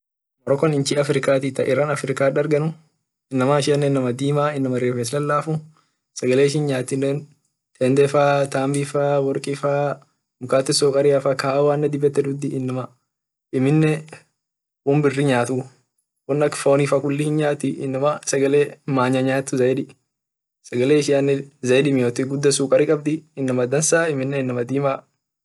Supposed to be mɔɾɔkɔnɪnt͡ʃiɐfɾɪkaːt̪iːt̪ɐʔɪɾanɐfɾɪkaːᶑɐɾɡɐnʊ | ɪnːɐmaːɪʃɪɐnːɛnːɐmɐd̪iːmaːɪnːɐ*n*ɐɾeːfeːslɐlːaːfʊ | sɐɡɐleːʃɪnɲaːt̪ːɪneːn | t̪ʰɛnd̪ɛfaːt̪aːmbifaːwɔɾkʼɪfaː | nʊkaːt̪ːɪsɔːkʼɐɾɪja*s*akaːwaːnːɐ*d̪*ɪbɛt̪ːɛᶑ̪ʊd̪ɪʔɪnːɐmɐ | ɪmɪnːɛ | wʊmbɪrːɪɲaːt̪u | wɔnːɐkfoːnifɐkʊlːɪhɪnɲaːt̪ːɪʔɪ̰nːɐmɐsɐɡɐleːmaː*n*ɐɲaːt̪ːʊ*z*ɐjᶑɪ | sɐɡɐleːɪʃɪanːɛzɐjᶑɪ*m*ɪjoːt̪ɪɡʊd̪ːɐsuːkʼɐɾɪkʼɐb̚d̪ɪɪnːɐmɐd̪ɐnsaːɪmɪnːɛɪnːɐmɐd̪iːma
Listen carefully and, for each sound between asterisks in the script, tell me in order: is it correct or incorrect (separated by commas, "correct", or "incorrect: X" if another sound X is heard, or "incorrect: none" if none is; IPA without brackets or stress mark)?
incorrect: m, incorrect: f, correct, incorrect: ɲ, correct, correct